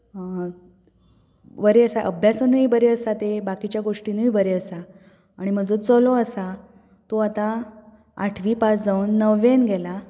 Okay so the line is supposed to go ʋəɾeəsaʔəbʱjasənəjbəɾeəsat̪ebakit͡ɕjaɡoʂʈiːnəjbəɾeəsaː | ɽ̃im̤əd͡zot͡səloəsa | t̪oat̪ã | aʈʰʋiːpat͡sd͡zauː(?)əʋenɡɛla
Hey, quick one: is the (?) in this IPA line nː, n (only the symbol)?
nː